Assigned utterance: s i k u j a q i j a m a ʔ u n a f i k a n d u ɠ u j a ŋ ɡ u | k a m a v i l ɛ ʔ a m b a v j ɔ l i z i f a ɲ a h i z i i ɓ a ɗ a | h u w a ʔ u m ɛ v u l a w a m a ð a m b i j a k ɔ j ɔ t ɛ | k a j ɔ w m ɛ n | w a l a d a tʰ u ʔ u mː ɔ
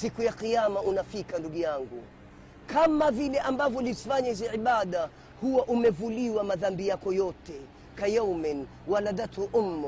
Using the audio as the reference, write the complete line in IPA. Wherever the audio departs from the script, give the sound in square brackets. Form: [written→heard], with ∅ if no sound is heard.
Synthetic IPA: s i k u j a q i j a m a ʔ u n a f i k a n d u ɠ u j a ŋ ɡ u | k a m a v i l ɛ ʔ a m b a v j ɔ l i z i f a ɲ a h i z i i ɓ a ɗ a | h u w a ʔ u m ɛ v u l [a→i] w a m a ð a m b i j a k ɔ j ɔ t ɛ | k a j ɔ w m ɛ n | w a l a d a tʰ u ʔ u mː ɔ